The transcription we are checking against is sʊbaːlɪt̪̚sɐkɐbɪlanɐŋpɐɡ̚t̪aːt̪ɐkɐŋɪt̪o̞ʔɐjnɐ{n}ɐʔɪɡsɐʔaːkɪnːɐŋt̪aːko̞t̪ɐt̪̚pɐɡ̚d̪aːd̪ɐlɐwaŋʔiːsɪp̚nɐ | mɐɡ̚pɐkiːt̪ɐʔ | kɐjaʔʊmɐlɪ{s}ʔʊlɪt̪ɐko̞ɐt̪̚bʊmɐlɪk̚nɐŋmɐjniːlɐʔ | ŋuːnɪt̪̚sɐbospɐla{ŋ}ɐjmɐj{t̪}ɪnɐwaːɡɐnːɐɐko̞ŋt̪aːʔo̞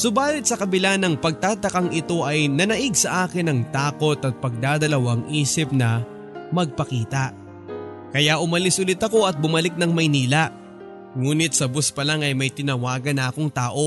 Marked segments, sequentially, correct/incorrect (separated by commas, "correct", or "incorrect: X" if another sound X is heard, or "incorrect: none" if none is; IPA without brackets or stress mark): correct, correct, correct, correct